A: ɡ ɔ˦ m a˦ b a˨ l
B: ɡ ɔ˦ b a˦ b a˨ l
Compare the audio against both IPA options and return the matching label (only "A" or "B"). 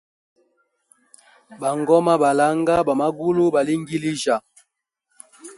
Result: A